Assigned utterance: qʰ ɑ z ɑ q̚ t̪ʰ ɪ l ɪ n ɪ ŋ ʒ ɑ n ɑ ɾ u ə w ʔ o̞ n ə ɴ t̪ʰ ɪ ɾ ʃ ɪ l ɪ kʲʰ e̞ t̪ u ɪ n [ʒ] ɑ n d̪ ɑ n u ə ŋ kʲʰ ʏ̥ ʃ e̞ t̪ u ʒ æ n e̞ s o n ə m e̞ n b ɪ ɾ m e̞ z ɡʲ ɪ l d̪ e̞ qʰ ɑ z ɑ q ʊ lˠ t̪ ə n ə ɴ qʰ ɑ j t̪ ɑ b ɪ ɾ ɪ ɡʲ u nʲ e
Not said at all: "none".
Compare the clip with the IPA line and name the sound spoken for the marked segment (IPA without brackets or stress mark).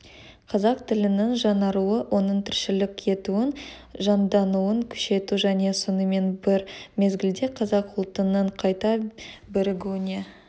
ʒ